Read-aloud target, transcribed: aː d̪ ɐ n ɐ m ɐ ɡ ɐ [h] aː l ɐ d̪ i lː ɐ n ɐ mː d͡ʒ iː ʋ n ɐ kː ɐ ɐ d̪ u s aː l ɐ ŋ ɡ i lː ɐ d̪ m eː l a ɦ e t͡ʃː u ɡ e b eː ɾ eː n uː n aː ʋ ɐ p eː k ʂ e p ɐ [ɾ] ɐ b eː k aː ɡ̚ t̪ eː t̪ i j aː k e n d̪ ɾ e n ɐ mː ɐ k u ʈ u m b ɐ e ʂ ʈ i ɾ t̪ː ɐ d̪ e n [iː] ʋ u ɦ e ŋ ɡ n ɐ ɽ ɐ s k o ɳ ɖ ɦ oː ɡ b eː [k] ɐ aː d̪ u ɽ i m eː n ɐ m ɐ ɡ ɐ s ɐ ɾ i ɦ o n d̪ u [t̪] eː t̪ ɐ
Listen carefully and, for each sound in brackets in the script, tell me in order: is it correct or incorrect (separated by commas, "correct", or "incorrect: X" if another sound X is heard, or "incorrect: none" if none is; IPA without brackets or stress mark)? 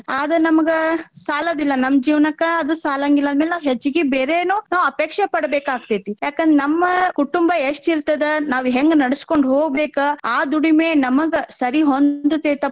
incorrect: s, incorrect: ɽ, incorrect: aː, correct, correct